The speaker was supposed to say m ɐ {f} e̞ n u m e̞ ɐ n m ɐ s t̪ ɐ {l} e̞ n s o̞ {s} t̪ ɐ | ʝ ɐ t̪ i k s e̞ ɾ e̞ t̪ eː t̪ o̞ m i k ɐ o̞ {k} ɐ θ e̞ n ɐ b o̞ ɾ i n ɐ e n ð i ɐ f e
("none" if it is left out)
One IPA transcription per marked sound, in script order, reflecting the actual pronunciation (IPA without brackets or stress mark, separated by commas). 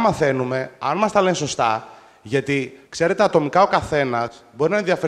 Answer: θ, l, s, k